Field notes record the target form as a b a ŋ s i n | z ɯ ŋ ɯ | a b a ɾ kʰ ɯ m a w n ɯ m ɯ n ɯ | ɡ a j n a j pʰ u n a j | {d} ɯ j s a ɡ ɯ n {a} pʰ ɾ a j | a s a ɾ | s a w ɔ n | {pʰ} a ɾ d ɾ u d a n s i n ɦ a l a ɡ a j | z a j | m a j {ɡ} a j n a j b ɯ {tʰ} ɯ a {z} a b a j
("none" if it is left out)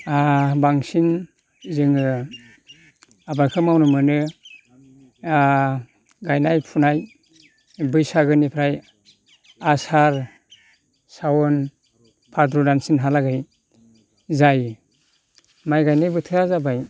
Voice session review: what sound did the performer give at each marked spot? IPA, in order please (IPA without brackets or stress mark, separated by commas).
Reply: b, i, pʰ, ɡ, tʰ, z